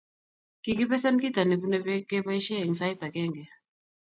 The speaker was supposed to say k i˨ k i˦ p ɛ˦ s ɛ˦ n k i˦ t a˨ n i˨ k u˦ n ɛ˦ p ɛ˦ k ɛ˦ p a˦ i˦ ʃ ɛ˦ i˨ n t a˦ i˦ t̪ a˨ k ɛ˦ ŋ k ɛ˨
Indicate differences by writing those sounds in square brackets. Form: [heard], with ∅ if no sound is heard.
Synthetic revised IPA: k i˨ k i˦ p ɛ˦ s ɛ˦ n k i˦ t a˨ n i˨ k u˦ n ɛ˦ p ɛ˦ k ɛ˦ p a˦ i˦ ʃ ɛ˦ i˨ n [s] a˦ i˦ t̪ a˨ k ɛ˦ ŋ [ɡ] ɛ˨